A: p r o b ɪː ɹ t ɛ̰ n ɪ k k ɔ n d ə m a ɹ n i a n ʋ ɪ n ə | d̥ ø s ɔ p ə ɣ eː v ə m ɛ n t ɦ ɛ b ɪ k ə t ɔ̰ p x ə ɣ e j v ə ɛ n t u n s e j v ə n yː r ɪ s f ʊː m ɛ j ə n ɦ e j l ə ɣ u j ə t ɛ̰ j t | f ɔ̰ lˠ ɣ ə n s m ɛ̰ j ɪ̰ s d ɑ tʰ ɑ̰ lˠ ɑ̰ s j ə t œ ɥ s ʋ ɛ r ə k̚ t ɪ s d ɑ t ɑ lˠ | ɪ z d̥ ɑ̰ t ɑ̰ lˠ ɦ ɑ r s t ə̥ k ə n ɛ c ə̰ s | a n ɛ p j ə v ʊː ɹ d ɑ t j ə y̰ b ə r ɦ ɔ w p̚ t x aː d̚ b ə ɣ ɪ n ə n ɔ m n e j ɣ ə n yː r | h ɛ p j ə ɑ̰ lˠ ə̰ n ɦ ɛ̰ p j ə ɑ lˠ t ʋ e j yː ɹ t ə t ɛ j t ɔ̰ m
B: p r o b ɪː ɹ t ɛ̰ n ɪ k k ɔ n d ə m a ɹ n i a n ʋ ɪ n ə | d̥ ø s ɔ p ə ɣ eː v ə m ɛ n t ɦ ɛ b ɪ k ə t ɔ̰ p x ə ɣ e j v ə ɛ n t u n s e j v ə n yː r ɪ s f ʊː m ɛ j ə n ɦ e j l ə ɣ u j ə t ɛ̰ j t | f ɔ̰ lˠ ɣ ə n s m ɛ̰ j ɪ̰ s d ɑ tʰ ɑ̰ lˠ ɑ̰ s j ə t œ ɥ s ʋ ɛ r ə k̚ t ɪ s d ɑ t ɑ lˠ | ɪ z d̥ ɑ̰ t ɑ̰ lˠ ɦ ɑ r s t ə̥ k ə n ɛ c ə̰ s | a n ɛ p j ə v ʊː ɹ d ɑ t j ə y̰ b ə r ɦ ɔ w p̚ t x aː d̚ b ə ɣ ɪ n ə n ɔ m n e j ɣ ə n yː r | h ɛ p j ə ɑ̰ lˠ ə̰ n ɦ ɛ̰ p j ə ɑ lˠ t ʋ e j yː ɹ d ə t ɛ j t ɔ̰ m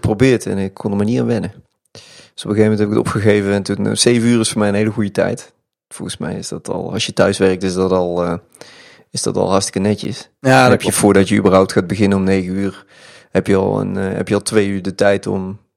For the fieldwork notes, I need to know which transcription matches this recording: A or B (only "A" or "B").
B